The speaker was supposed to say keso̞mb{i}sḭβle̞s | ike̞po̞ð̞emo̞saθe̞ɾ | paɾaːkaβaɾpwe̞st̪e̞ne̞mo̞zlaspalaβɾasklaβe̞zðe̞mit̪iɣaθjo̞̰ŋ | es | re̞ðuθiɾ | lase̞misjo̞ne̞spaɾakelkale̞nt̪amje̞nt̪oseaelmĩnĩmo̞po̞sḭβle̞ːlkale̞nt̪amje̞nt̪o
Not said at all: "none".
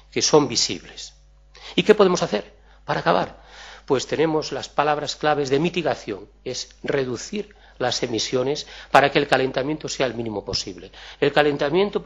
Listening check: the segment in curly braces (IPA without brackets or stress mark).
i